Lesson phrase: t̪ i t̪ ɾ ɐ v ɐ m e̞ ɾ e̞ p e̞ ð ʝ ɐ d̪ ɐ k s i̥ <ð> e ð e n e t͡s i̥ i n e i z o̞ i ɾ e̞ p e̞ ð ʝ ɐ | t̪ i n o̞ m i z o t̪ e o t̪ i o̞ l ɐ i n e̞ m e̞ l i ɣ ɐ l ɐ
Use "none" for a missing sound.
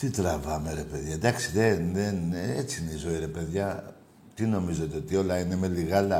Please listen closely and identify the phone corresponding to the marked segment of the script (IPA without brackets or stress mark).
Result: ð